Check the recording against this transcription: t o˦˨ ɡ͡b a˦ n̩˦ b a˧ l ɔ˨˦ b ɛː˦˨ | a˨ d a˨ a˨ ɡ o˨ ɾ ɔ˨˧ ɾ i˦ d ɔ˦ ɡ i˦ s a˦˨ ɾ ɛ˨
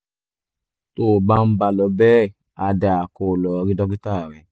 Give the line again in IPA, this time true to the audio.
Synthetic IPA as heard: t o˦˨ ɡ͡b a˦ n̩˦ b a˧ l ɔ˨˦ b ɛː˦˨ | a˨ d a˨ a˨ k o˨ l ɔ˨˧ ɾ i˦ d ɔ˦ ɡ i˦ t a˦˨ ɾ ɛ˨